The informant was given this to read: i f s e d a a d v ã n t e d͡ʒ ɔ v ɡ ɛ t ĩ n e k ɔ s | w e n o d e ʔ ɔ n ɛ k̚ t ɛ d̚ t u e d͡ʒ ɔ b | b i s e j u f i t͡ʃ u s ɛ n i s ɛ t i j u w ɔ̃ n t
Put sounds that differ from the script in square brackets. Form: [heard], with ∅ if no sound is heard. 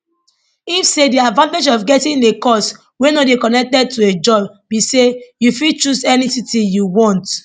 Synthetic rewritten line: i f s e d [i] a d v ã n t e d͡ʒ ɔ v ɡ ɛ t ĩ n e k ɔ s | w e n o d e [k] ɔ n ɛ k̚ t ɛ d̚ t u e d͡ʒ ɔ b | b i s e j u f i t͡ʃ u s ɛ n i s [i] t i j u w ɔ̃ n t